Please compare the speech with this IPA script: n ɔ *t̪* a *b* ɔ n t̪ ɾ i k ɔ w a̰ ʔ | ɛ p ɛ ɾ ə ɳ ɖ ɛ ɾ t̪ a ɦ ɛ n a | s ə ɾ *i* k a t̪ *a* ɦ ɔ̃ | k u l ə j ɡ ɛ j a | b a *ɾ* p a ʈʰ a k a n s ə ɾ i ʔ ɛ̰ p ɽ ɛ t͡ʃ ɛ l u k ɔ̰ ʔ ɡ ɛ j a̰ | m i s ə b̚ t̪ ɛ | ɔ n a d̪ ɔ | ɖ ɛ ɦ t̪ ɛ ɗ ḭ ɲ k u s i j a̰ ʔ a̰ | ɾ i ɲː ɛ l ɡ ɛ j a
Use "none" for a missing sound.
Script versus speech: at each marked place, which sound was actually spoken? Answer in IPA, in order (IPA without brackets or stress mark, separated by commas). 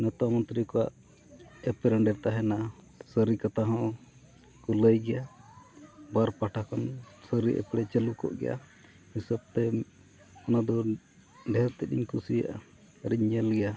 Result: t̪, m, i, a, ɾ